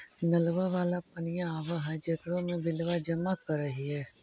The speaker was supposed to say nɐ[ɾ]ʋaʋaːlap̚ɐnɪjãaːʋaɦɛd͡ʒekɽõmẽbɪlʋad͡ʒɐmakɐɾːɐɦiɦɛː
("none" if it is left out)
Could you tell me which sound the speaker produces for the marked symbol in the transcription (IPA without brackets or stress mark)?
l